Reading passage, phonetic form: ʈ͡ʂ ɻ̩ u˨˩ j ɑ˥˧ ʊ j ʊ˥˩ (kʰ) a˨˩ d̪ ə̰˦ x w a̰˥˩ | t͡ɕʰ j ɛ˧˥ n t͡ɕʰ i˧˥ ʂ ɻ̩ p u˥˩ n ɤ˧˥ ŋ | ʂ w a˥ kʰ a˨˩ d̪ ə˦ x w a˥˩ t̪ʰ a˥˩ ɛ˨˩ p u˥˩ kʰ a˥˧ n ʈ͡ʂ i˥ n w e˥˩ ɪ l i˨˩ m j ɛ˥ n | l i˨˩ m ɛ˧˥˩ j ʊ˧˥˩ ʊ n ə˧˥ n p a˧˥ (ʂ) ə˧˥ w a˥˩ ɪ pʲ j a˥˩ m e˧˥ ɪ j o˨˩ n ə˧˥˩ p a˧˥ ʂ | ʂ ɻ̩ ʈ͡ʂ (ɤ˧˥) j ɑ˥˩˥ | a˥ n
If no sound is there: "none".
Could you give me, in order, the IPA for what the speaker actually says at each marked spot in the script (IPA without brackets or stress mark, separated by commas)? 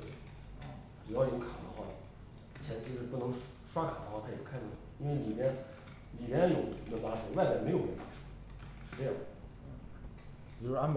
kʰ, ʂ, ɤ˥˧